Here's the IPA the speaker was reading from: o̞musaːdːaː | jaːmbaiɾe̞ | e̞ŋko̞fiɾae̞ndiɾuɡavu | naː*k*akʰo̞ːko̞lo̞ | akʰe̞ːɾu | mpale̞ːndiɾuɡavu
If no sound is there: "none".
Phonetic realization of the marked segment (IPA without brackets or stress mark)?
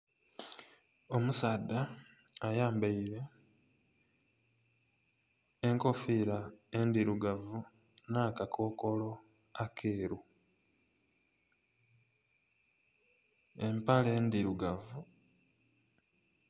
k